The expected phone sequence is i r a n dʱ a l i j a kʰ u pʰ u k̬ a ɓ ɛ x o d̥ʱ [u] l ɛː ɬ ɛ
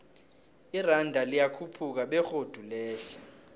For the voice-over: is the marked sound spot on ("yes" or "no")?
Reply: yes